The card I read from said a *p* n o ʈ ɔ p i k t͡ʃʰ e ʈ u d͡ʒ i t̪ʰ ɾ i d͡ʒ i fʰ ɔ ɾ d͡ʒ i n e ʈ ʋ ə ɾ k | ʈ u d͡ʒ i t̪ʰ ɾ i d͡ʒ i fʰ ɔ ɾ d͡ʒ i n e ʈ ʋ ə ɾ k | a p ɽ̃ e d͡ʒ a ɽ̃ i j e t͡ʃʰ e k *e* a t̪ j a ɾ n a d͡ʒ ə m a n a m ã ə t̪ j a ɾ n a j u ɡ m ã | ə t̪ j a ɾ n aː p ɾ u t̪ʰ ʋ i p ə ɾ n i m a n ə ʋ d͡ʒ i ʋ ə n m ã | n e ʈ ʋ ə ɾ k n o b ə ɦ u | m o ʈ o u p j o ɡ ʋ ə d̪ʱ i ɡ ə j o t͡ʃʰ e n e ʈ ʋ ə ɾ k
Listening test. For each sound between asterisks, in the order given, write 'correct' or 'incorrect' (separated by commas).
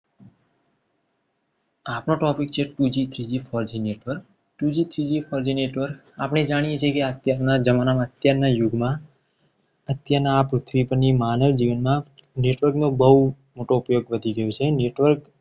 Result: correct, correct